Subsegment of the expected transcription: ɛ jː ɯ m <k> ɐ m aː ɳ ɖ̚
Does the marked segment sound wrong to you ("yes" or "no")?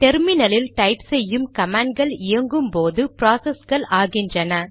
no